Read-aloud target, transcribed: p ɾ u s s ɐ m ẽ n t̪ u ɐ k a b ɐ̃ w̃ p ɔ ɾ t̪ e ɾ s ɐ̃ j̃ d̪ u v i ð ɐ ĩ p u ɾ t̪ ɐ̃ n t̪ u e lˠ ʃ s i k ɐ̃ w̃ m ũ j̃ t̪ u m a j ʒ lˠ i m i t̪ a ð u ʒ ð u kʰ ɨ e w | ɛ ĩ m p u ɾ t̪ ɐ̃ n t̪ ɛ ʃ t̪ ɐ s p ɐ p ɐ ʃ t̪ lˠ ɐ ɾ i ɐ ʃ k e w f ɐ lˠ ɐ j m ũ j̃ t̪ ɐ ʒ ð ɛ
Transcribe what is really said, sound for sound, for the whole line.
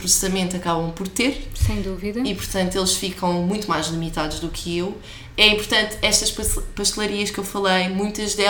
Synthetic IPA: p ɾ u s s ɐ m ẽ n t̪ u ɐ k a β ɐ̃ w̃ p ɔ ɾ t̪ e ɾ s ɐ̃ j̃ d̪ u v i ð ɐ i p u ɾ t̪ ɐ̃ n t̪ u e lˠ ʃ f i k ɐ̃ w̃ m ũ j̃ t̪ u m a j ʒ lˠ i m i t̪ a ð u ʒ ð u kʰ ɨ e w | ɛ ĩ m p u ɾ t̪ ɐ̃ n t̪ ɛ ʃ t̪ ɐ ʃ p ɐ p ɐ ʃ t̪ lˠ ɐ ɾ i ɐ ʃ k e w f ɐ lˠ ɐ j m ũ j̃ t̪ ɐ ʒ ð ɛ